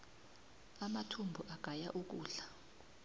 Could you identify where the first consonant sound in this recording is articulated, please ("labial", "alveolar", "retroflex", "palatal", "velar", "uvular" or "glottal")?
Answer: labial